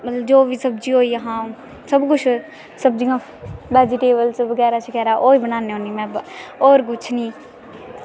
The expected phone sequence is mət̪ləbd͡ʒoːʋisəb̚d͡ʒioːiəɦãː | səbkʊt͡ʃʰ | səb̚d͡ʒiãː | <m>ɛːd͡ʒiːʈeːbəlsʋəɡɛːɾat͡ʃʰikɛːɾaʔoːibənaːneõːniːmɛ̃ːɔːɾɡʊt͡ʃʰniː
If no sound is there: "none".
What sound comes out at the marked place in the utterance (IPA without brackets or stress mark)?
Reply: b